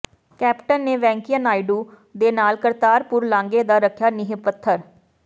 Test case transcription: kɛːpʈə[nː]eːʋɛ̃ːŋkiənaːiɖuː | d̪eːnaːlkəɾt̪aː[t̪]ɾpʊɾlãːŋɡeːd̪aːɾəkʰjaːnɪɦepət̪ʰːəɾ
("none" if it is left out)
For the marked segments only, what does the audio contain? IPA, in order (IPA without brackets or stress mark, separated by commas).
nː, none